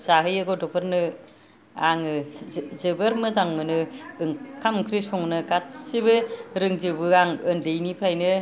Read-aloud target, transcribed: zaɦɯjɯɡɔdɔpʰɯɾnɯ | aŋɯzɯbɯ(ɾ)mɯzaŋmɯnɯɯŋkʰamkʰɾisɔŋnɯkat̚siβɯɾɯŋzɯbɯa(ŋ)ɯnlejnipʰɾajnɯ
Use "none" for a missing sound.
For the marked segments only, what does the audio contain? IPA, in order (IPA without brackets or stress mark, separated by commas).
ɾ, ŋ